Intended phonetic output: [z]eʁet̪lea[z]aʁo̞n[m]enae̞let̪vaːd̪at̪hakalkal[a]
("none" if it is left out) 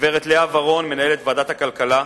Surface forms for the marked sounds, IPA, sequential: v, v, m, a

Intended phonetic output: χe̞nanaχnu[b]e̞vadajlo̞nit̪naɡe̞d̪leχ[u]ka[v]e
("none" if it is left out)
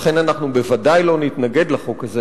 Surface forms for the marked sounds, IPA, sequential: b, o, z

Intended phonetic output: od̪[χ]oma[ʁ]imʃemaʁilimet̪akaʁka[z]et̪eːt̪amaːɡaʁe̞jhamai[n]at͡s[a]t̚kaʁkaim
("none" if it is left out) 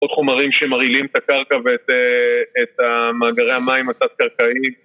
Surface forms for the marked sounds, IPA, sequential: χ, ʁ, v, m, a

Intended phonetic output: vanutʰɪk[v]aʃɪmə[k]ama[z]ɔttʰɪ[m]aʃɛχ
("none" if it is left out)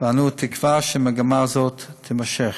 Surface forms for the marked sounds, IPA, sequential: v, ɡ, z, m

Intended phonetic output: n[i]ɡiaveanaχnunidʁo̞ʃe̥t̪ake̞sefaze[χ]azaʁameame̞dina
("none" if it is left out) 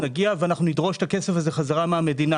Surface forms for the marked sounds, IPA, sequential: a, χ

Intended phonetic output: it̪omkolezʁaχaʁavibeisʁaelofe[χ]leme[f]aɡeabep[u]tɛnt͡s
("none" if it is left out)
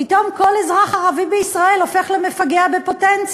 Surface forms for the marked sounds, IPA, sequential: χ, f, o

